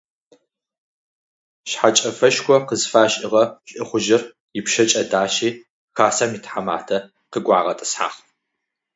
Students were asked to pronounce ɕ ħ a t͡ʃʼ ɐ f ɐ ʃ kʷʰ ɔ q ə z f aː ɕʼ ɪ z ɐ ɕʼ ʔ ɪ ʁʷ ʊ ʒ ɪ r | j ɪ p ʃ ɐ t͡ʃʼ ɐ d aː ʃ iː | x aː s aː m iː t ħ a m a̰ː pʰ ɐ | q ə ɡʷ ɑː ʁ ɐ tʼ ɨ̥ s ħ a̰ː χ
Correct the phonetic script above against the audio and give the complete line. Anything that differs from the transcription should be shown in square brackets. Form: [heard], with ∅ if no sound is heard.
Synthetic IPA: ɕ ħ a t͡ʃʼ ɐ f ɐ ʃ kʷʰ ɔ q ə z f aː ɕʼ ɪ [ʁ] ɐ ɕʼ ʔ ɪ [χʷ] ʊ ʒ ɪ r | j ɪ p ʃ ɐ t͡ʃʼ ɐ d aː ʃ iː | x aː s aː m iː t ħ a m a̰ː [tʰ] ɐ | q ə ɡʷ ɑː ʁ ɐ tʼ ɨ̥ s ħ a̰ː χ